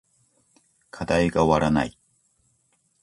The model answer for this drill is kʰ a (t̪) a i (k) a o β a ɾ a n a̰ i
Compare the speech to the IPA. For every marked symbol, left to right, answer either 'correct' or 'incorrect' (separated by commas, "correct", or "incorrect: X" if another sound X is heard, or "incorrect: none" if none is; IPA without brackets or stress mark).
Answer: incorrect: d̪, incorrect: ɡ